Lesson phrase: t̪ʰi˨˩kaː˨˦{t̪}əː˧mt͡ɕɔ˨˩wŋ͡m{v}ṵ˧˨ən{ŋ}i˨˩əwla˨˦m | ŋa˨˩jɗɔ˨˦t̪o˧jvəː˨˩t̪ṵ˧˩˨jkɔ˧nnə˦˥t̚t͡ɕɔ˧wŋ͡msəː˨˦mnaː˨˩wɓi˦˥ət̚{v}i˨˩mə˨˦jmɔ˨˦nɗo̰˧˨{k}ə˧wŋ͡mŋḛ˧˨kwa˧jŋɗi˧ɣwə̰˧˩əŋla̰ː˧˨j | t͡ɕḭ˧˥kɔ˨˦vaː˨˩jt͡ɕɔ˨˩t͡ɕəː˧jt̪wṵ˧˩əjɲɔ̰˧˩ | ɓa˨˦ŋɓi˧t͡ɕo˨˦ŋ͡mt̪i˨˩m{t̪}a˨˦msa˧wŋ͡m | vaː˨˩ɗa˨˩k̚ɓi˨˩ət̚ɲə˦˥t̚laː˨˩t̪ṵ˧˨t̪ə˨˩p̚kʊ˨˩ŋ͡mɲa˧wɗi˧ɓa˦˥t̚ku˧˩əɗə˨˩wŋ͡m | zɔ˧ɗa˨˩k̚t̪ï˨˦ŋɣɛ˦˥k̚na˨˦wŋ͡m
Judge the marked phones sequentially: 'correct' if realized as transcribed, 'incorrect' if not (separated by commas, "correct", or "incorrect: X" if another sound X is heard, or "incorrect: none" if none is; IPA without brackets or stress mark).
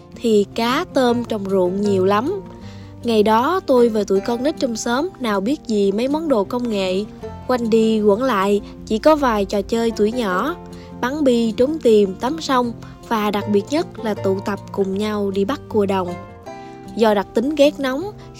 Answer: correct, incorrect: z, incorrect: ɲ, incorrect: z, correct, correct